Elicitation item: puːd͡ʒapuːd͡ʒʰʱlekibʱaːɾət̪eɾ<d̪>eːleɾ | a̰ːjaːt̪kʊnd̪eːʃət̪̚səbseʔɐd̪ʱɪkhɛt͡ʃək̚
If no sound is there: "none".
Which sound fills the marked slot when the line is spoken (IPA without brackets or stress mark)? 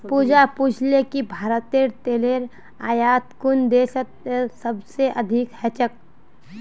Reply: t̪